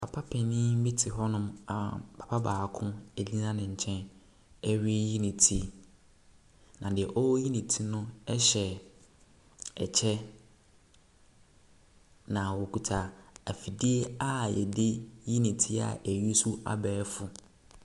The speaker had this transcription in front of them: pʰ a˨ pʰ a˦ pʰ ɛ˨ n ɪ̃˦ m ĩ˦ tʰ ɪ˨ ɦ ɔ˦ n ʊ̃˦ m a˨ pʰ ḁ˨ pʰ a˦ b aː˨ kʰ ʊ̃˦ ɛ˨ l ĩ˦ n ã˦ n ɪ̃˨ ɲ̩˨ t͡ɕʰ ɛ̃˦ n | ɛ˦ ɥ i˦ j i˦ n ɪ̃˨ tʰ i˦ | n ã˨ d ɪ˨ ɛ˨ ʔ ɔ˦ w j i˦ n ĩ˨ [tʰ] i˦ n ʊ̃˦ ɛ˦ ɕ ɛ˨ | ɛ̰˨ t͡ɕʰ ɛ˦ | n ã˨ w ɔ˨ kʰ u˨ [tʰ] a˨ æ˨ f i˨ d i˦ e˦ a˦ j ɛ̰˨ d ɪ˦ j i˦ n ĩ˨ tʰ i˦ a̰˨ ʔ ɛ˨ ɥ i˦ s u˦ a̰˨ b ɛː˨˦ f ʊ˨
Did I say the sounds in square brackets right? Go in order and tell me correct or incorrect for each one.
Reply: correct, correct

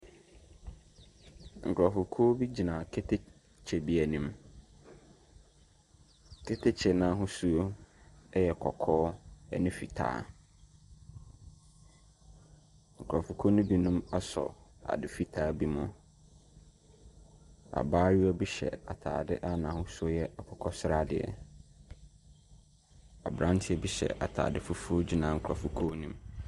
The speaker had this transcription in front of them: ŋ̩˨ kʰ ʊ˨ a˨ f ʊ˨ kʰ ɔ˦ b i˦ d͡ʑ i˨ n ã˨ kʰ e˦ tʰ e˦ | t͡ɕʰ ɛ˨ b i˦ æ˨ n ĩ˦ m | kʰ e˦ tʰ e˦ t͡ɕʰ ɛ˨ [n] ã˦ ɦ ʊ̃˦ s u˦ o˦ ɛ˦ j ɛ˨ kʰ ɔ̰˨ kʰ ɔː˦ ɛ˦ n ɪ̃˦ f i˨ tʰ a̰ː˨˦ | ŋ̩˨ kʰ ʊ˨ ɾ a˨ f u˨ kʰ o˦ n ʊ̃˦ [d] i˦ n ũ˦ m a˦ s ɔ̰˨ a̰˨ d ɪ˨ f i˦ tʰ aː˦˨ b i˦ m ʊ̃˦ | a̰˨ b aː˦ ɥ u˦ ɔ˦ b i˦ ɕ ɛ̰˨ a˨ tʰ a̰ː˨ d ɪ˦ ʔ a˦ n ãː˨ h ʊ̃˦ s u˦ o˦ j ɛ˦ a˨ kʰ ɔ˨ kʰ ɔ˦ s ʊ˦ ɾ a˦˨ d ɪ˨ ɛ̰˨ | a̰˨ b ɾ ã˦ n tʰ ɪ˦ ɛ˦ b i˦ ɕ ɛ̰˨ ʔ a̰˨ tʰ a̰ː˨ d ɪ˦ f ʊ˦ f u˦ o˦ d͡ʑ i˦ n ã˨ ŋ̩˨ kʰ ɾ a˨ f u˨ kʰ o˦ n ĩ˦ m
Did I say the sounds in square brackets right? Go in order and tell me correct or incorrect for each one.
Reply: correct, incorrect: b

